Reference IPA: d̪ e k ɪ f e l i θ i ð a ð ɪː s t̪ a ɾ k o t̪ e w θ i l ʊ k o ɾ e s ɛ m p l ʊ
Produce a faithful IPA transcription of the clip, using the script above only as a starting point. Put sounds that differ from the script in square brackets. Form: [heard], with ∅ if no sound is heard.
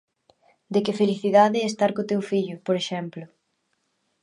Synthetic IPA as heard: d̪ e k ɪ f e l i θ i ð a ð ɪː s t̪ a ɾ k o t̪ e w [f] i [ʎ] ʊ [p] o ɾ e [ʃ] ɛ m p l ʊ